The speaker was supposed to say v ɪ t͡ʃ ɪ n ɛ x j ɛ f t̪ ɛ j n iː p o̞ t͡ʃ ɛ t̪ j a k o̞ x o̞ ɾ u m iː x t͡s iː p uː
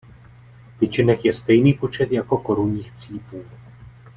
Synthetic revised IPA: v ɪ t͡ʃ ɪ n ɛ x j ɛ s t̪ ɛ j n iː p o̞ t͡ʃ ɛ t̪ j a k o̞ k o̞ ɾ u ɲ iː x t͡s iː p uː